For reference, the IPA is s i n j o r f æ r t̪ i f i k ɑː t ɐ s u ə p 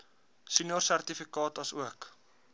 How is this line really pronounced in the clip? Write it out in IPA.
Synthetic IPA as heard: s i n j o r s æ r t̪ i f i k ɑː t ɐ s u ə k